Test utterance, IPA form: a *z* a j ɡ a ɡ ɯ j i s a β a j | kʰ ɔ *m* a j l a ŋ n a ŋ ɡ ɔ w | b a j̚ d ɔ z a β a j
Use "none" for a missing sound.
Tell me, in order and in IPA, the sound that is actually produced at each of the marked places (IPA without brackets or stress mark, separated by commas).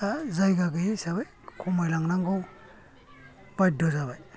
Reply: z, m